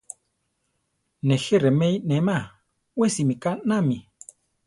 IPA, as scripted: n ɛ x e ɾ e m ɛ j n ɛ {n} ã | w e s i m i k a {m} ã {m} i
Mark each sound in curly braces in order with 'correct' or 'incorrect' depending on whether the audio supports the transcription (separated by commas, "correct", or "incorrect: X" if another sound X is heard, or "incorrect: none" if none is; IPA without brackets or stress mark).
incorrect: m, incorrect: n, correct